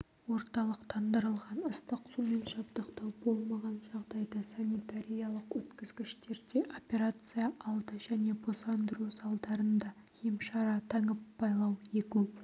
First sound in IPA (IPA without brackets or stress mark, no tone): w